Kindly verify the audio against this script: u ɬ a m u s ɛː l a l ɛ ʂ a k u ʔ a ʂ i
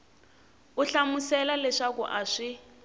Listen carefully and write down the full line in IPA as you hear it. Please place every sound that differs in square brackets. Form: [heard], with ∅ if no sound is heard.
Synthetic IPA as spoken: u ɬ a m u s [ɛ] l a l ɛ ʂ a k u ʔ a ʂ i